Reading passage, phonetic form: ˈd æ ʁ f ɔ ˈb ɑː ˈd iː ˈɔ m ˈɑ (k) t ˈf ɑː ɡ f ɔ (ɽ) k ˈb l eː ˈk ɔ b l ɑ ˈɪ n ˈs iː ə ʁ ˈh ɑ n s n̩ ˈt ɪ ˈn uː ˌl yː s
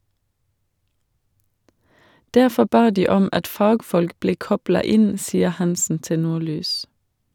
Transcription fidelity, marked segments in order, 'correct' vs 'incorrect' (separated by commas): incorrect, incorrect